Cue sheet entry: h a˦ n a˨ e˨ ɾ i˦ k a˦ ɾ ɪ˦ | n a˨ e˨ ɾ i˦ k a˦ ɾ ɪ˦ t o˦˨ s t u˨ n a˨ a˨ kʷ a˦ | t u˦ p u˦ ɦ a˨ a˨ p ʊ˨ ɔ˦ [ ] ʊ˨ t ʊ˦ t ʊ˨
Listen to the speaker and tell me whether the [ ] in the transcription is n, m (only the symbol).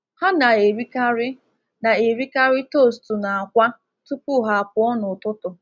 n